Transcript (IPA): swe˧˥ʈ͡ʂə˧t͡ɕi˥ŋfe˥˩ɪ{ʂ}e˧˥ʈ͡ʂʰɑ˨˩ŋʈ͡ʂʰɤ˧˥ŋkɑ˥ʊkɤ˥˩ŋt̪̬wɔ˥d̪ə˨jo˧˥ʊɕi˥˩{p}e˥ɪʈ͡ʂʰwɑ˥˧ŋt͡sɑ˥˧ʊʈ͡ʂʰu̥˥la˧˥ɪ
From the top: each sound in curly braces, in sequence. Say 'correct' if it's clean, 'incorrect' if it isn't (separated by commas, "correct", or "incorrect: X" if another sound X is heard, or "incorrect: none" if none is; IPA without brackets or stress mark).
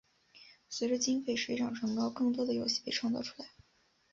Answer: correct, correct